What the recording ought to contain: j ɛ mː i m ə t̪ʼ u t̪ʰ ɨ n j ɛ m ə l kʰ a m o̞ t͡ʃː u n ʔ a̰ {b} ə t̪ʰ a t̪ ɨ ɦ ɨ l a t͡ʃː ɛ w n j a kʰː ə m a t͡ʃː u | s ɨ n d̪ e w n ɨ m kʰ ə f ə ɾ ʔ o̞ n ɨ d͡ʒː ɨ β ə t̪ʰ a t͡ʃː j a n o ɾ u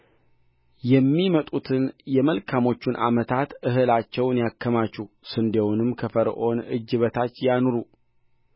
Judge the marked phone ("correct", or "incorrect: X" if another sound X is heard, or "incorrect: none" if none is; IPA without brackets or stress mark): incorrect: m